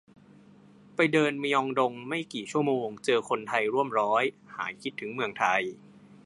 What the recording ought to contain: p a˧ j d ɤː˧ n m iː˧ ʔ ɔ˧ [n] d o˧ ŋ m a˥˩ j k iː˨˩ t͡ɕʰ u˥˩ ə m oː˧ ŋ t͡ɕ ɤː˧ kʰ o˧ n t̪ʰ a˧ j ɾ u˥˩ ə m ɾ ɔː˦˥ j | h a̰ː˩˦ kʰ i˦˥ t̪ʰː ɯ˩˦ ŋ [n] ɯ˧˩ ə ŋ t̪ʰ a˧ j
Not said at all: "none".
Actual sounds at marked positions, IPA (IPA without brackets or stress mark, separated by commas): ŋ, m